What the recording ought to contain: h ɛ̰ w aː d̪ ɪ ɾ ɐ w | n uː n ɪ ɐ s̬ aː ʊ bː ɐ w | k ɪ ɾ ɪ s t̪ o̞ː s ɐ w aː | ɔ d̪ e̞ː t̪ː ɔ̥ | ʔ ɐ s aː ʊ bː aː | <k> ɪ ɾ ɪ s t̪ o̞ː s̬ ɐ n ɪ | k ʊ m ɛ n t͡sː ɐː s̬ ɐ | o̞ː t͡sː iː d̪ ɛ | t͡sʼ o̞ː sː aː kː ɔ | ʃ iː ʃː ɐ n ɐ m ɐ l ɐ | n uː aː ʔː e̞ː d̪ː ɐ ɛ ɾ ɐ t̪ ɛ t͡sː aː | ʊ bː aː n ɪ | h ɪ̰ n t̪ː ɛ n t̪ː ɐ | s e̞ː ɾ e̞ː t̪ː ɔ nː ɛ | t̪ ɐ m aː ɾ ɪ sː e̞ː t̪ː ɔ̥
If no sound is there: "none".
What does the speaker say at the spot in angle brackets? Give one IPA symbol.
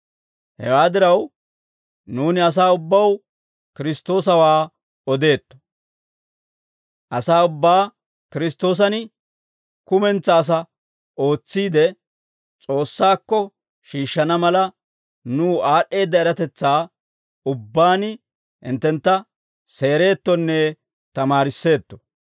k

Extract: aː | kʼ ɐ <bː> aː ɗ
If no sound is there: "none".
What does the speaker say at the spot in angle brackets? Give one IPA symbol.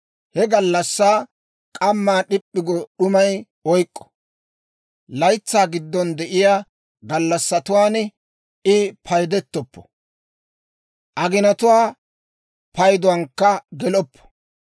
mː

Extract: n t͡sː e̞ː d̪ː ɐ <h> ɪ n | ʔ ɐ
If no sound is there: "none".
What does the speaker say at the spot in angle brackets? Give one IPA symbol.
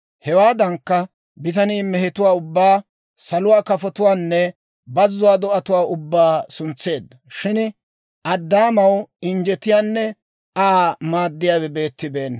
ʃ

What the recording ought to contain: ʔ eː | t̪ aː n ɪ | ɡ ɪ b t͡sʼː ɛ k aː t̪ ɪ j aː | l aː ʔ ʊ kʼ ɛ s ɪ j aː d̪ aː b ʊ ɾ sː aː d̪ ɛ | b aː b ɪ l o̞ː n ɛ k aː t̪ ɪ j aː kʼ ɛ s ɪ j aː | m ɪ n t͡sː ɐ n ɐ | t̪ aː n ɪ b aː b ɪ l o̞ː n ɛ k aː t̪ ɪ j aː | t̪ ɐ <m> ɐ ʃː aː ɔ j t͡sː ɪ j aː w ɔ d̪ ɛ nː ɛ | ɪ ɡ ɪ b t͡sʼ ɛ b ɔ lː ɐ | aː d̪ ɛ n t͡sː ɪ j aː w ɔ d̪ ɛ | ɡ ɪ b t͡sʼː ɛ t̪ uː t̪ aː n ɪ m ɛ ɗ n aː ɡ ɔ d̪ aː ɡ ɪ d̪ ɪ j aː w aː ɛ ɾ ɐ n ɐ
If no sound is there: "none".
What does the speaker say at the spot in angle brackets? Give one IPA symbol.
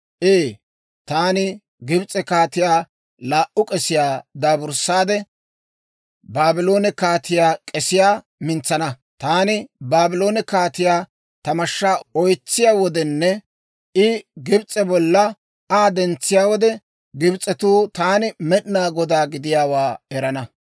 m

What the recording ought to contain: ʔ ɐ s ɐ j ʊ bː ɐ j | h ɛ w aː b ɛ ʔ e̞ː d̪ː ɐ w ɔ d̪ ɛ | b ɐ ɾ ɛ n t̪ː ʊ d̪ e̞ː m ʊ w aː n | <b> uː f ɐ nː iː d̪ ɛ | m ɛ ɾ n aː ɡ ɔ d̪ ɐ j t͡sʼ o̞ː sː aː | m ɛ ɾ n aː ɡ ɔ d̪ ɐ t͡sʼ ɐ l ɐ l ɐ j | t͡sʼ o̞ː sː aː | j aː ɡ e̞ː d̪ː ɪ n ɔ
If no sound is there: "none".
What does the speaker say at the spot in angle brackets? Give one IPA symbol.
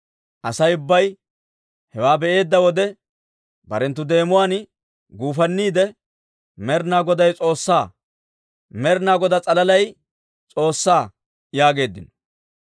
ɡ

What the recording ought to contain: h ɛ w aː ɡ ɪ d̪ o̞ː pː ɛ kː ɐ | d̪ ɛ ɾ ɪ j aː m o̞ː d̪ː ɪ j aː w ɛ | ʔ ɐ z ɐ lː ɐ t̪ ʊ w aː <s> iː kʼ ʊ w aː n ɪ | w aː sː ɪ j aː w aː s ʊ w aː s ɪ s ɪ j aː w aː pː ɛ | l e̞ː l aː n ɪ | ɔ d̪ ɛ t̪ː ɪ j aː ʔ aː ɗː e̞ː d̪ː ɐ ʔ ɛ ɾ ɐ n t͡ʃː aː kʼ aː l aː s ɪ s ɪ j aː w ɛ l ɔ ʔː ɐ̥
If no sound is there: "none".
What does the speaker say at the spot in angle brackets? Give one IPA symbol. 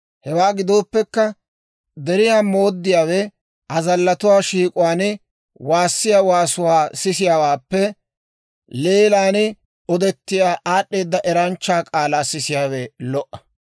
ʃ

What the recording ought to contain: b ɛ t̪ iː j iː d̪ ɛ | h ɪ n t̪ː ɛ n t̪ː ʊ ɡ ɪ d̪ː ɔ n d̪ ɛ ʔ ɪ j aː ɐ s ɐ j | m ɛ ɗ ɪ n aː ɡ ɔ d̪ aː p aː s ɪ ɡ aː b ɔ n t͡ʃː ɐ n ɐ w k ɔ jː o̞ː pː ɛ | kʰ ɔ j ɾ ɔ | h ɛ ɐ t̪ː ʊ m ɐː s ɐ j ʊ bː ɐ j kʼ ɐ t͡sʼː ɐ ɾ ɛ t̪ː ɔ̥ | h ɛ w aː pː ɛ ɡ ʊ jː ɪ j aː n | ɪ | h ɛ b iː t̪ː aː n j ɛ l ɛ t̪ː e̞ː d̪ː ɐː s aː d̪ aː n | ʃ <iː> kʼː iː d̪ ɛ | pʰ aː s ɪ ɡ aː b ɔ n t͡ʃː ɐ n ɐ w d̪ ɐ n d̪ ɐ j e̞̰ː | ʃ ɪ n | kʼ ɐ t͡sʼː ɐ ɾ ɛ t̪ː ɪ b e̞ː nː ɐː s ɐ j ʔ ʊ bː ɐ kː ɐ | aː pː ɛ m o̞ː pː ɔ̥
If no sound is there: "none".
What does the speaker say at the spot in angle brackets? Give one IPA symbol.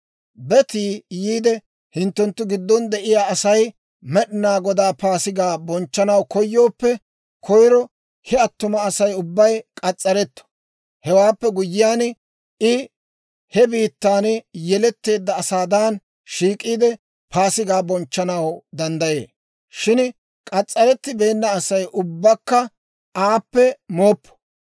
iː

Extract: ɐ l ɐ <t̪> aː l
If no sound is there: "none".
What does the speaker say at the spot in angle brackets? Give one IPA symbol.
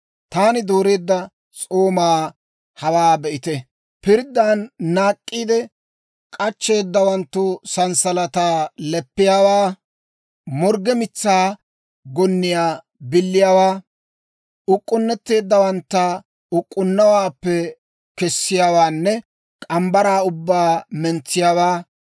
t̪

